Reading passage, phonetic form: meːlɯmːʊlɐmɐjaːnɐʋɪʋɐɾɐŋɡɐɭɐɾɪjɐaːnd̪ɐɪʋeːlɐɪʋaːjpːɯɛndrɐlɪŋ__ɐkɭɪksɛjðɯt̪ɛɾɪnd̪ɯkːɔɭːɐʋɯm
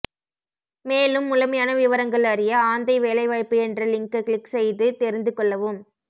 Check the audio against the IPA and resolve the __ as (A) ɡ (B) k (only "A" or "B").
B